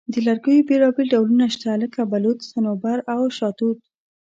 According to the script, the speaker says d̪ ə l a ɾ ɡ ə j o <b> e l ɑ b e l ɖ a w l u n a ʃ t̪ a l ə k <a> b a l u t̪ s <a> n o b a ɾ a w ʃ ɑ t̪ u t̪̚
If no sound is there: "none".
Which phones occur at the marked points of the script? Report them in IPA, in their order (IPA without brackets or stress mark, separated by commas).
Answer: b, a, a